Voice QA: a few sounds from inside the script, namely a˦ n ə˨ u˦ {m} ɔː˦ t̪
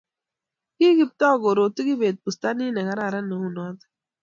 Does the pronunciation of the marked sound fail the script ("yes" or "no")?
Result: yes